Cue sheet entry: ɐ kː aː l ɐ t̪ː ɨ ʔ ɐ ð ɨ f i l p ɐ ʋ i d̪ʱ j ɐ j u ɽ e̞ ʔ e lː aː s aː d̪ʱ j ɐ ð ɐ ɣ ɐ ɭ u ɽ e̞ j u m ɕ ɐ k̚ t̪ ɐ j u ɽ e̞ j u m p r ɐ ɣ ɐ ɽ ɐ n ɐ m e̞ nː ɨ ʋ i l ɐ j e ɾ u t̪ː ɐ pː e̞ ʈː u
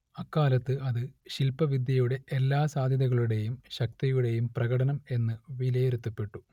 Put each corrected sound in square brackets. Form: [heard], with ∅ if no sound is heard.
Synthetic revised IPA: ɐ kː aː l ɐ t̪ː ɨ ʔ ɐ ð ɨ [ɕ] i l p ɐ ʋ i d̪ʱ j ɐ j u ɽ e̞ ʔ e lː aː s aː d̪ʱ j ɐ ð ɐ ɣ ɐ ɭ u ɽ e̞ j u m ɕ ɐ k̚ t̪ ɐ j u ɽ e̞ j u m p r ɐ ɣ ɐ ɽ ɐ n ɐ m e̞ nː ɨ ʋ i l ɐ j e ɾ u t̪ː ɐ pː e̞ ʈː u